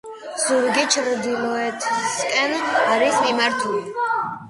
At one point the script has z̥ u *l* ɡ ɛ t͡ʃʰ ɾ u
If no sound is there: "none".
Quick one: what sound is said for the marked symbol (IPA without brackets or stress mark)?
ɾ